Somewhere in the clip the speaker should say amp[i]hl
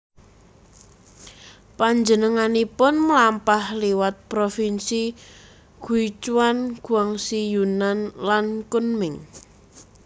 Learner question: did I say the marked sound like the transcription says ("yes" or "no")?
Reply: no